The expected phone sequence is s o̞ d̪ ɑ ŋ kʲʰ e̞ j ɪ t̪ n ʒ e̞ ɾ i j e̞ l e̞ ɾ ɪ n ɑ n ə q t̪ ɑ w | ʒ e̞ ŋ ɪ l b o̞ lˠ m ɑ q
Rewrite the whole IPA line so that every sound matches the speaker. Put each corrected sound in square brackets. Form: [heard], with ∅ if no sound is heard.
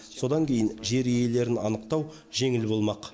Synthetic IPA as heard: s o̞ d̪ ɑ ŋ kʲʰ e̞ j ɪ [∅] n ʒ e̞ ɾ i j e̞ l e̞ ɾ ɪ n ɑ n ə q t̪ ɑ w | ʒ e̞ ŋ ɪ l b o̞ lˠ m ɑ q